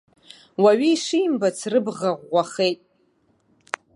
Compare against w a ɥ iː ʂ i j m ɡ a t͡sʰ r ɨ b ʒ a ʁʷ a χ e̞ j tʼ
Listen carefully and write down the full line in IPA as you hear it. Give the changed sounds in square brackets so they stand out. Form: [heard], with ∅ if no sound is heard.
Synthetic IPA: w a ɥ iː ʂ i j m [b] a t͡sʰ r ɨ b [ʁ] a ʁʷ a χ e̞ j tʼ